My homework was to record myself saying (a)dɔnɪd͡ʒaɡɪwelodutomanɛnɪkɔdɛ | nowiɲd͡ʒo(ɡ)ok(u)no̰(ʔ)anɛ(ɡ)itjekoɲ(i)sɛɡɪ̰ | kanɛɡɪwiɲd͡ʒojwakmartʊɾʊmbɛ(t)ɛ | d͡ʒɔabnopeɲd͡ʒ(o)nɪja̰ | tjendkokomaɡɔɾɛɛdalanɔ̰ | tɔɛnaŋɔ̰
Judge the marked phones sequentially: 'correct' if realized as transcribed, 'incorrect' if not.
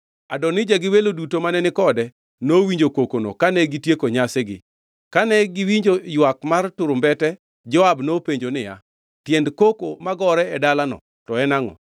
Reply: correct, incorrect, incorrect, incorrect, correct, incorrect, correct, correct

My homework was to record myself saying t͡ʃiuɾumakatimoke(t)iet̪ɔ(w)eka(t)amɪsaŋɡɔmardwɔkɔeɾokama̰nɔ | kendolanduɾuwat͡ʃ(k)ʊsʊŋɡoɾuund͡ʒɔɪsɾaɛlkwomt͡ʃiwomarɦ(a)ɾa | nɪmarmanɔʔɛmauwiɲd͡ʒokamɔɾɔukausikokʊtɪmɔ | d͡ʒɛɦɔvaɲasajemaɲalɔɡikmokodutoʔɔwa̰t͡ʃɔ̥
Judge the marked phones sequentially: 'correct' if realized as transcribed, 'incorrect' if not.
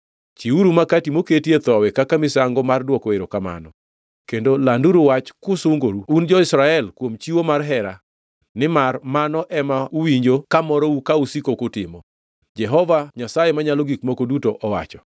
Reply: correct, correct, incorrect, correct, incorrect

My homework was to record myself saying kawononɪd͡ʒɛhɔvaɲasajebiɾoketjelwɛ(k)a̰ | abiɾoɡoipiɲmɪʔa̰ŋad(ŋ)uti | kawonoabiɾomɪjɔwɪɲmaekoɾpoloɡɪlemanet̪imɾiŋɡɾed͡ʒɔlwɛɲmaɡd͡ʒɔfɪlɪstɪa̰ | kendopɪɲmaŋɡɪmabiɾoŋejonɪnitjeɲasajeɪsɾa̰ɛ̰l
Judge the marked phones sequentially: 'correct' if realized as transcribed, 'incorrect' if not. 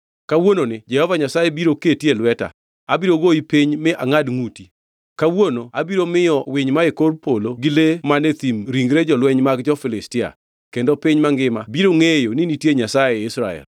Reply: incorrect, correct

